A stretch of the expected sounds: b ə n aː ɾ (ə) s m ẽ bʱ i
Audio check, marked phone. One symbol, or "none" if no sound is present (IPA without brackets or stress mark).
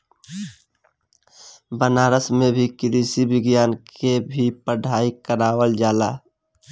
ə